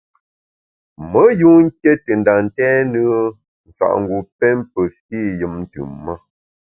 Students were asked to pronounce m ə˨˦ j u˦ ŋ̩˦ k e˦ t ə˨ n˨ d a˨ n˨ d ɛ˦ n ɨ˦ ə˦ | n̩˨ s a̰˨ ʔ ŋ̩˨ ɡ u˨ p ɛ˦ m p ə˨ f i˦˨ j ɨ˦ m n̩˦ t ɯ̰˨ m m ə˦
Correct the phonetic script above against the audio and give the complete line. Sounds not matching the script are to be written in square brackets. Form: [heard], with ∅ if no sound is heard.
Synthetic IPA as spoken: m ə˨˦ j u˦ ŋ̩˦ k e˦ t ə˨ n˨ d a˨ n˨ [t] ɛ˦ n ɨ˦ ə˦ | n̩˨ s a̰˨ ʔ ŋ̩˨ ɡ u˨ p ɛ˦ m p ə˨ f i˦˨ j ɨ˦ m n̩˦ t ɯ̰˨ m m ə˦